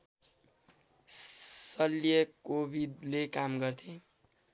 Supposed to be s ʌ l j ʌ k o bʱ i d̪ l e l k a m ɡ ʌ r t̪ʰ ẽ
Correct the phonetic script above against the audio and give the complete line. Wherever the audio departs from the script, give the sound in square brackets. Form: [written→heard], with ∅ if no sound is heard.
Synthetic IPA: s ʌ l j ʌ k o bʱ i d̪ l e [l→∅] k a m ɡ ʌ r t̪ʰ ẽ